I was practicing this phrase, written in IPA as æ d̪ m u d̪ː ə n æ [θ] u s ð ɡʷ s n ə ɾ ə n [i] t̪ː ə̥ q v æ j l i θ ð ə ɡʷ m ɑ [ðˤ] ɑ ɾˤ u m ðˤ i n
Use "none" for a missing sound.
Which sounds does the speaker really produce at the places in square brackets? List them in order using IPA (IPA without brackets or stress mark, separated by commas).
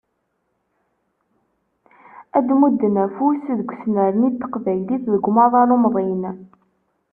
f, i, ðˤ